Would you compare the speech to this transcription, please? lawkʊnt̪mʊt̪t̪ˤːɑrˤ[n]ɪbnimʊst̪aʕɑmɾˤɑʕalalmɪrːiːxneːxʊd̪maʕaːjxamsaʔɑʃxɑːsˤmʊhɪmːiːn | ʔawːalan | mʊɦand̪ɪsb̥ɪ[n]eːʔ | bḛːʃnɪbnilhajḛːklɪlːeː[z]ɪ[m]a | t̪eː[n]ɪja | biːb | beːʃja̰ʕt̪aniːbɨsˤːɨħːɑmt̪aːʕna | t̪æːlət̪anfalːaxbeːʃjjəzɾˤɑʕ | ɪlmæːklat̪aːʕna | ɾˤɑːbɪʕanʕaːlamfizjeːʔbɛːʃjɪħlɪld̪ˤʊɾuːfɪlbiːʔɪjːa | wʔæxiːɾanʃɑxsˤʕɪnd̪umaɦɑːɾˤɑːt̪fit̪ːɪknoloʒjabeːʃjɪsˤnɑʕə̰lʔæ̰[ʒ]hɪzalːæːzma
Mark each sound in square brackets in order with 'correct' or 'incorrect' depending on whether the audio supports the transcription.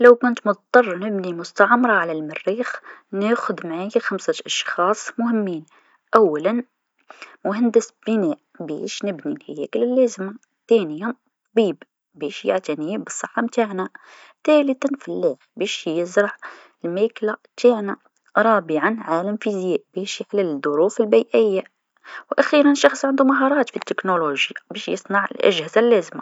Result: correct, correct, correct, correct, correct, correct

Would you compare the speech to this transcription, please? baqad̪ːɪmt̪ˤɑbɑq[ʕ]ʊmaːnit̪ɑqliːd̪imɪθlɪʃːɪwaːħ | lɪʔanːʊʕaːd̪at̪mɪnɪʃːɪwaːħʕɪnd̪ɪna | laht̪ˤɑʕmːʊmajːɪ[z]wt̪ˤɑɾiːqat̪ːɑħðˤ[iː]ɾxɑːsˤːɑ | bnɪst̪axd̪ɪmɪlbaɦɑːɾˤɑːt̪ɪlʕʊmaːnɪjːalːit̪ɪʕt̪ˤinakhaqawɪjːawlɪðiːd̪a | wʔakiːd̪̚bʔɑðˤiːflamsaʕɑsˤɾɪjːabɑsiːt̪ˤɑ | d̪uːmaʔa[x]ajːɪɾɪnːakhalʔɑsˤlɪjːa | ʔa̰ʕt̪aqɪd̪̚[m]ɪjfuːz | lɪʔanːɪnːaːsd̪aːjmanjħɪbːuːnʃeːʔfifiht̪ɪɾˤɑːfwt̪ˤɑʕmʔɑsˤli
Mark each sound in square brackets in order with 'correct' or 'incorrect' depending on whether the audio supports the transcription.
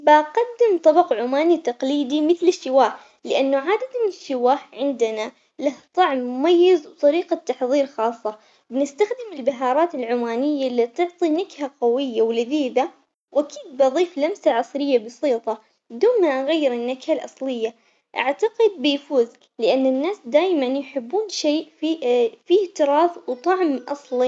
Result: correct, correct, correct, incorrect: ɣ, incorrect: b

